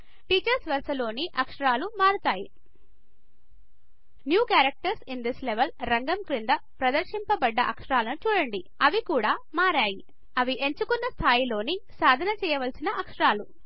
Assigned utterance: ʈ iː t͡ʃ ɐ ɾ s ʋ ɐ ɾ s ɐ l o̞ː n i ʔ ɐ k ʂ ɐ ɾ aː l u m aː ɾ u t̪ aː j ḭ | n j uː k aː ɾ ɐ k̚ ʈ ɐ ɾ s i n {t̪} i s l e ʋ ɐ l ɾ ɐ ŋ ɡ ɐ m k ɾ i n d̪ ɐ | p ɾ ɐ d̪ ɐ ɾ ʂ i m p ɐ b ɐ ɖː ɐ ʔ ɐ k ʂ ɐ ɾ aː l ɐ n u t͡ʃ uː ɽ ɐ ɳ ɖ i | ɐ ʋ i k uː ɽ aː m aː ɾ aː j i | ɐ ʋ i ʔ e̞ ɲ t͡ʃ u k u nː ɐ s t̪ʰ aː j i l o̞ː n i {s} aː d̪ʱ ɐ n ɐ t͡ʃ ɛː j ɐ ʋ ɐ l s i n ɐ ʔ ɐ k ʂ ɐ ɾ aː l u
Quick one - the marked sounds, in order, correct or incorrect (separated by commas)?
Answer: incorrect, correct